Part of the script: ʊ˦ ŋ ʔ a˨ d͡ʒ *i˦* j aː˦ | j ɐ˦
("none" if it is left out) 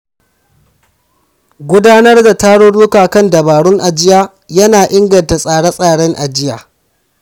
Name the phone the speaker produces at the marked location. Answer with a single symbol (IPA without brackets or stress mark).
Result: ɪ˦